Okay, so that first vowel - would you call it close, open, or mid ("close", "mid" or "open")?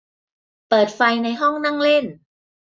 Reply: mid